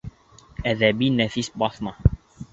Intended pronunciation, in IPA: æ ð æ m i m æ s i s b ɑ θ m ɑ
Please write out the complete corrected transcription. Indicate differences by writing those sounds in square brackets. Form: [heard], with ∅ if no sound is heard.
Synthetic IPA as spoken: æ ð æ [b] i [n] æ [f] i s b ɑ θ m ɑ